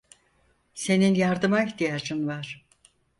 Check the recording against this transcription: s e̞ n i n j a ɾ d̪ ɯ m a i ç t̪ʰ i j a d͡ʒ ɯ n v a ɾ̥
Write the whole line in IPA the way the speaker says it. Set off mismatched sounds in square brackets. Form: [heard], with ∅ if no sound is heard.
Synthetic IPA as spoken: s e̞ n i n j a ɾ d̪ ɯ m a i ç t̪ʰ i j a d͡ʒ ɯ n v a ɾ̥

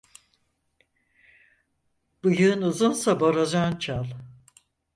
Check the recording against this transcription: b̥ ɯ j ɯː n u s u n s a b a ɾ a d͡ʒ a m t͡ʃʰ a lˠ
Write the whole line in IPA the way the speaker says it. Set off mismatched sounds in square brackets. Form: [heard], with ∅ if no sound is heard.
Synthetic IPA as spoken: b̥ ɯ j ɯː n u [z] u n s a b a ɾ a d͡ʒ a [n] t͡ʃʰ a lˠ

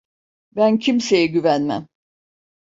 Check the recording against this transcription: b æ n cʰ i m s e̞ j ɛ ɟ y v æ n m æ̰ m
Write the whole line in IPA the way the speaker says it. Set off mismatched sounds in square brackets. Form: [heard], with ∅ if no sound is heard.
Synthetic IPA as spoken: b æ n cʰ i m s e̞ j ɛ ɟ y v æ n m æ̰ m

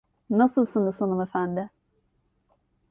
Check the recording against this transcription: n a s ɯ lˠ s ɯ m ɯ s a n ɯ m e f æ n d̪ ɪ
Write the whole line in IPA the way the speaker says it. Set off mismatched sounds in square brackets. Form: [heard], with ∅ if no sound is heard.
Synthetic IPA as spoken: n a s ɯ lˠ s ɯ [n] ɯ s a n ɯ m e f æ n d̪ ɪ

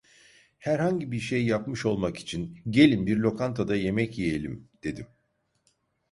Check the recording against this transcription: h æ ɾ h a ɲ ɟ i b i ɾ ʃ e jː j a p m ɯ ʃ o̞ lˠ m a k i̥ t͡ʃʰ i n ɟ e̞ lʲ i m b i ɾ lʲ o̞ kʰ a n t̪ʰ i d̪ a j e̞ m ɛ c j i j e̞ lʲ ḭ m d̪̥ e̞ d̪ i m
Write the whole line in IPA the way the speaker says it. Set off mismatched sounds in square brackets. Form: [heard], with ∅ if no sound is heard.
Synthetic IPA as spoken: h æ ɾ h a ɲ ɟ i b i ɾ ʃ e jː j a p m ɯ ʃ o̞ lˠ m a k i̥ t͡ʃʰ i n ɟ e̞ lʲ i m b i ɾ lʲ o̞ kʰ a n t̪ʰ [a] d̪ a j e̞ m ɛ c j i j e̞ lʲ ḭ m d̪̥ e̞ d̪ i m

